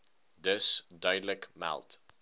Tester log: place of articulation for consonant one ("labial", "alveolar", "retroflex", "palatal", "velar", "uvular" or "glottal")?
alveolar